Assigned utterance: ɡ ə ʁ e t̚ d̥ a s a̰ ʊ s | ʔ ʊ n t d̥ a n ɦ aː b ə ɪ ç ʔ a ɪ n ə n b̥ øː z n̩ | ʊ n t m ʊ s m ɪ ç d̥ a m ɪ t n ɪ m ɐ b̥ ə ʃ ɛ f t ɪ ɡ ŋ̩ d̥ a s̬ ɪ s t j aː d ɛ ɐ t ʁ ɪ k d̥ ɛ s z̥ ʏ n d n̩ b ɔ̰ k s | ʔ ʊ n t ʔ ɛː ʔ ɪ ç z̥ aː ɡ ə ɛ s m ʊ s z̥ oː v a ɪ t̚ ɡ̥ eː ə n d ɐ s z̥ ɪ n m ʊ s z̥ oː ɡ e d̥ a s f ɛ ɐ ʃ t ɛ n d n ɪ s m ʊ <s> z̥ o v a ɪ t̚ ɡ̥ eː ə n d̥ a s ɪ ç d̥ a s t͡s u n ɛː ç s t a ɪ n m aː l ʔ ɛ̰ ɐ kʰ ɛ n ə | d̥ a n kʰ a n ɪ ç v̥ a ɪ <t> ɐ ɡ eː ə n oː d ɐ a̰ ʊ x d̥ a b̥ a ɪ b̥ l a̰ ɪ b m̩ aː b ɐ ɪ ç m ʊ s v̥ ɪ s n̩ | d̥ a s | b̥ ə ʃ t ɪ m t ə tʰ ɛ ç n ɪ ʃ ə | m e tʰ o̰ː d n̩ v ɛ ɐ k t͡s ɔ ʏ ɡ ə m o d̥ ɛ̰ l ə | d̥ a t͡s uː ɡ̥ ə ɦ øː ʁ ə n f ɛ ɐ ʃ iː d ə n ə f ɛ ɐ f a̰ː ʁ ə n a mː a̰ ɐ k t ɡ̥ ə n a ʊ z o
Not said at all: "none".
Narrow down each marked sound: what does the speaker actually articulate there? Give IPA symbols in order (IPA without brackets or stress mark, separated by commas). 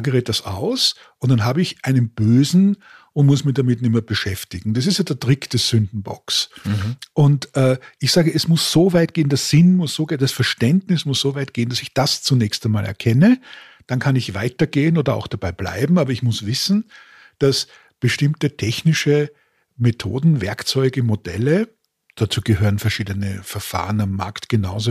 s, t